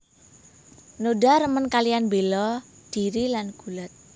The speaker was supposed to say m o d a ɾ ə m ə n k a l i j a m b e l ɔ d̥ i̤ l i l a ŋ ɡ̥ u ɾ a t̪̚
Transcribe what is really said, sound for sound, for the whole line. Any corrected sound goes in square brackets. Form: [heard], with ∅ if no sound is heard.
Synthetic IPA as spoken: [n] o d a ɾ ə m ə n k a l i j a [n] b e l ɔ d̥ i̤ [ɾ] i l a [n] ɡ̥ u [l] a t̪̚